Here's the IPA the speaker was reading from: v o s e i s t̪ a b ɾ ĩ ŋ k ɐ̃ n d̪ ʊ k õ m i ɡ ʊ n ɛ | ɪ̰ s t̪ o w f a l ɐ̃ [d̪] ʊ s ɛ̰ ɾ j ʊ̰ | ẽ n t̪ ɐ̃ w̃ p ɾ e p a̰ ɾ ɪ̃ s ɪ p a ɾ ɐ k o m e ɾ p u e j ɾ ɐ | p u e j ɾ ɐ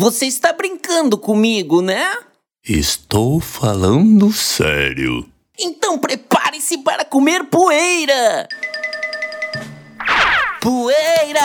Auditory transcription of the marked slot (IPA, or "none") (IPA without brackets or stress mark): d̪